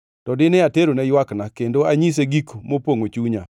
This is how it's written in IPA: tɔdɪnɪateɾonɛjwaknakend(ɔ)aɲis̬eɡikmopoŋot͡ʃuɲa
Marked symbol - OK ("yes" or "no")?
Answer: no